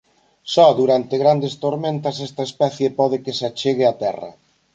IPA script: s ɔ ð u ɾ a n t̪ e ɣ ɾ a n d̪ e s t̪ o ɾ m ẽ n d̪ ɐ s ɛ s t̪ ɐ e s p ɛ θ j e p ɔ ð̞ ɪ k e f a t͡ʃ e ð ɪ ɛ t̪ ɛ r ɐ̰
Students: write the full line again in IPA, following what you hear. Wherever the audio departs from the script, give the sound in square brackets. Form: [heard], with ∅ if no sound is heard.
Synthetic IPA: s ɔ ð u ɾ a n t̪ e ɣ ɾ a n d̪ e s t̪ o ɾ m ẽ n [t̪] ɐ s ɛ s t̪ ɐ e s p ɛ θ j e p ɔ ð̞ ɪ k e [s] a t͡ʃ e [ɣ] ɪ [a] t̪ ɛ r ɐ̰